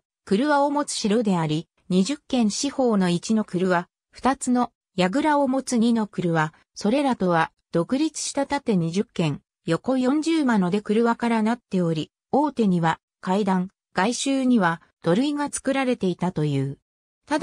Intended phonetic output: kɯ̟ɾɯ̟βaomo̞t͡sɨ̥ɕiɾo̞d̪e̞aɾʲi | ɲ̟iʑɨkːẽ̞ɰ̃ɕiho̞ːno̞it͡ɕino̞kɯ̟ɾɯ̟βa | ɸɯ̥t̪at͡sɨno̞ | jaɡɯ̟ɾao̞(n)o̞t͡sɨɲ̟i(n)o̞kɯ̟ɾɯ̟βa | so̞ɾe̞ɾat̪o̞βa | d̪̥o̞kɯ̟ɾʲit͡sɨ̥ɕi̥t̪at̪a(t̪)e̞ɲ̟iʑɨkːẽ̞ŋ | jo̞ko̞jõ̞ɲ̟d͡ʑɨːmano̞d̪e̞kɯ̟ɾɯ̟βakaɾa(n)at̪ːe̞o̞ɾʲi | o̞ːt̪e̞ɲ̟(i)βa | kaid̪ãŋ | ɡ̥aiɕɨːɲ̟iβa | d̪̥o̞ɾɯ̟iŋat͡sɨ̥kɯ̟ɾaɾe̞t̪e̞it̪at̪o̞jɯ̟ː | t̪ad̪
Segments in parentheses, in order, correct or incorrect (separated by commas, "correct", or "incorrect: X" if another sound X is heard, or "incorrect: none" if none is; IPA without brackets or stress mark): incorrect: m, correct, correct, correct, correct